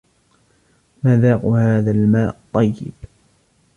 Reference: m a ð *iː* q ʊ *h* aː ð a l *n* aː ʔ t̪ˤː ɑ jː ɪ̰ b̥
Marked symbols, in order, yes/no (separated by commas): no, yes, no